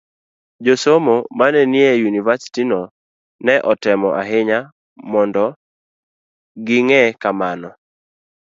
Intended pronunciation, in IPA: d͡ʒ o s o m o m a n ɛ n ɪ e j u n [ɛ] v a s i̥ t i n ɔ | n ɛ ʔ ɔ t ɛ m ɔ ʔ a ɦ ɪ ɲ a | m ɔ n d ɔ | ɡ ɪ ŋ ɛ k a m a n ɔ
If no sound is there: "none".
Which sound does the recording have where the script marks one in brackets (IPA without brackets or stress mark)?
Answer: i